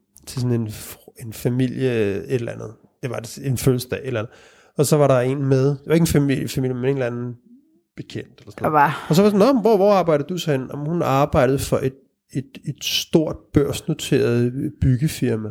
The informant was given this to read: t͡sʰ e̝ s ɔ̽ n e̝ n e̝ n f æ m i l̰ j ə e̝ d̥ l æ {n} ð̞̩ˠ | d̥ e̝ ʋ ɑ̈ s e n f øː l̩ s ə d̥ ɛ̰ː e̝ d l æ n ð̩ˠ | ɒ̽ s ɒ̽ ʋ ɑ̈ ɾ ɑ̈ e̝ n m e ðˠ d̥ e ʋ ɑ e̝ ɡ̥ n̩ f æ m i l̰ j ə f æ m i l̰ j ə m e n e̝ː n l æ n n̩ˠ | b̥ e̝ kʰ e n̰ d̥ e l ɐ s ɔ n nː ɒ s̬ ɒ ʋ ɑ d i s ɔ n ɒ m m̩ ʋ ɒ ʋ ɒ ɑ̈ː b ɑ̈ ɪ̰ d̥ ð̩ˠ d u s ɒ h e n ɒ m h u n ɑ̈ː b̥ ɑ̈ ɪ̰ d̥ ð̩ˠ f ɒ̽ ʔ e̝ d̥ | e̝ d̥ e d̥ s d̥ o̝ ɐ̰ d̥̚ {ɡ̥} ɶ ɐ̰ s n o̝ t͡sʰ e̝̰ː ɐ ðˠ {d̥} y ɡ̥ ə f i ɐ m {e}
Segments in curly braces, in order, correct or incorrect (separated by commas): correct, incorrect, incorrect, incorrect